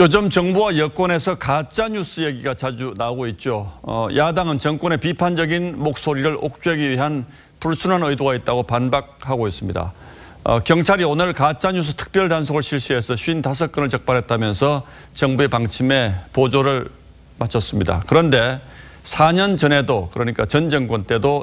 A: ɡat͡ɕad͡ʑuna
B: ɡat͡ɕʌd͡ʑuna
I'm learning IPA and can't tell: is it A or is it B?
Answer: A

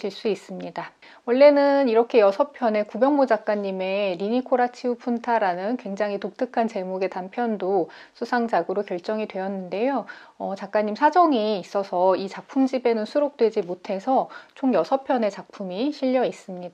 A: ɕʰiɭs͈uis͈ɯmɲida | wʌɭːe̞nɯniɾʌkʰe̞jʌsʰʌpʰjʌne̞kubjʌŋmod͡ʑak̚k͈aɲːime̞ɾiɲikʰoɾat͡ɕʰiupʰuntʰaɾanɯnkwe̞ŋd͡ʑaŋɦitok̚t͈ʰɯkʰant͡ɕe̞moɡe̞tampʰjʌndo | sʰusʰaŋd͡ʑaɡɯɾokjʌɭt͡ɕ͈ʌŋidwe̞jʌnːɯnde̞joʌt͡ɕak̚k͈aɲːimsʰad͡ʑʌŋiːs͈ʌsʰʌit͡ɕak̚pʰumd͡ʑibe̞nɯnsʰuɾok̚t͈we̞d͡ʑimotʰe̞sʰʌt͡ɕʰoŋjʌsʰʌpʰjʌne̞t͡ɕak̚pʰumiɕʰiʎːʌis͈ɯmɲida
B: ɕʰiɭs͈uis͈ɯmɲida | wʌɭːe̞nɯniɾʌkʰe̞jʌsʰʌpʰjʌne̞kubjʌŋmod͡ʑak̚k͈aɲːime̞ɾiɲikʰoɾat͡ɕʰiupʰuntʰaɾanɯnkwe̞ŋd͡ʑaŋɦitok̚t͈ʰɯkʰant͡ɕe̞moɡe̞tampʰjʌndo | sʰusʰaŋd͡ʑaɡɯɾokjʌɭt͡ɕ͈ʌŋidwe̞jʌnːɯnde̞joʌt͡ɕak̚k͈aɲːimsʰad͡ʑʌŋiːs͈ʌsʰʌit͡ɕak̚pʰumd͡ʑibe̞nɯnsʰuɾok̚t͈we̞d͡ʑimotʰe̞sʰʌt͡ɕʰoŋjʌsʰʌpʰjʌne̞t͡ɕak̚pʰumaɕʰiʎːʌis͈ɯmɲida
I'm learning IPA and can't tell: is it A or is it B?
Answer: A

